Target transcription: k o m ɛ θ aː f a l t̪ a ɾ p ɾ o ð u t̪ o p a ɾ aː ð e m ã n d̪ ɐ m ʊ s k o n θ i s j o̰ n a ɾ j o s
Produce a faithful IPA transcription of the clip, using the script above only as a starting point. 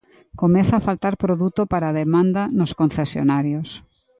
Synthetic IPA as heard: k o m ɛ θ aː f a l t̪ a ɾ p ɾ o ð u t̪ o p a ɾ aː ð e m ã n d̪ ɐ n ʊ s k o n θ e s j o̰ n a ɾ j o s

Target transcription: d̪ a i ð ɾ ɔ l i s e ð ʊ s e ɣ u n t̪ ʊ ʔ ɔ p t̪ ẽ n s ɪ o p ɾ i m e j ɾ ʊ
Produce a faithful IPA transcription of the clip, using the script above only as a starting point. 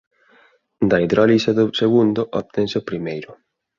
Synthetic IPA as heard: d̪ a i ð ɾ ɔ l i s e ð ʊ s e ɣ u n d̪ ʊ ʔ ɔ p t̪ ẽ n s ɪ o p ɾ i m e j ɾ ʊ

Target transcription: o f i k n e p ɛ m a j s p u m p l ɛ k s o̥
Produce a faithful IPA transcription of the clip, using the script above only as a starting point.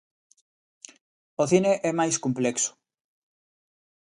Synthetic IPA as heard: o θ i n e ʔ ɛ m a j s k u m p l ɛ k s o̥

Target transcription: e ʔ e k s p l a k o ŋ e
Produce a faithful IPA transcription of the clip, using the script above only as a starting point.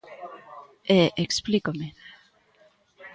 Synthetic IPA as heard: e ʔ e k s p l i k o m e

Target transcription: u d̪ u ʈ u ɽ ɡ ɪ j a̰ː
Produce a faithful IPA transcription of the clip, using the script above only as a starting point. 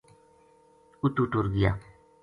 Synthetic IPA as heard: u t̪ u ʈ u ɾ ɡ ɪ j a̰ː

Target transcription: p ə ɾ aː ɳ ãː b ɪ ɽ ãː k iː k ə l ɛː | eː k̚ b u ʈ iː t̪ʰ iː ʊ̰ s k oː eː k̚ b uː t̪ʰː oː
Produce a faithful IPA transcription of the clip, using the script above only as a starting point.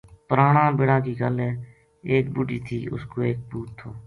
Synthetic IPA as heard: p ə ɾ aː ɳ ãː b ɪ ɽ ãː k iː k ə l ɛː | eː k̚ b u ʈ iː t̪ʰ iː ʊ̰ s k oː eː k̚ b uː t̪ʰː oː

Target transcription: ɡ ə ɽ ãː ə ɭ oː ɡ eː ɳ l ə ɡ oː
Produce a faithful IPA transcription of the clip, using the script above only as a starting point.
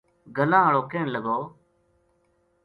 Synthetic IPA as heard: ɡ ə l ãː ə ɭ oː k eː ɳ l ə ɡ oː

